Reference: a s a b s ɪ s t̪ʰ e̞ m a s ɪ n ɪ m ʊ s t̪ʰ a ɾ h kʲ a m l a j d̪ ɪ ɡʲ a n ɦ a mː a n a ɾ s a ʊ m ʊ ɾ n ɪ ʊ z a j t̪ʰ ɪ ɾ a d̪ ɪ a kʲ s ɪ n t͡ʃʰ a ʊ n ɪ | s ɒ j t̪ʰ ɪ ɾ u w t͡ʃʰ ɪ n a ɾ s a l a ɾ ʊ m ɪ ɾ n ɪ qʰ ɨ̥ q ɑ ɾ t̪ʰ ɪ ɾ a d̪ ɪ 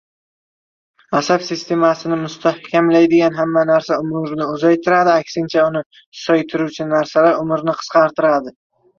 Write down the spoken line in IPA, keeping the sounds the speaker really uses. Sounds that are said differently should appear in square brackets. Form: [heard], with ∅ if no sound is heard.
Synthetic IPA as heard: a s a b s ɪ s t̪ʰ e̞ m a s ɪ n ɪ m ʊ s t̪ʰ a [∅] h kʲ a m l a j d̪ ɪ ɡʲ a n ɦ a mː a n a ɾ s a ʊ m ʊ ɾ n ɪ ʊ z a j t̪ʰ ɪ ɾ a d̪ ɪ a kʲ s ɪ n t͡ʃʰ a ʊ n ɪ | s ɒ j t̪ʰ ɪ ɾ u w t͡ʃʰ ɪ n a ɾ s a l a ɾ ʊ m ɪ ɾ n ɪ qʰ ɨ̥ q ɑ ɾ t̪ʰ ɪ ɾ a d̪ ɪ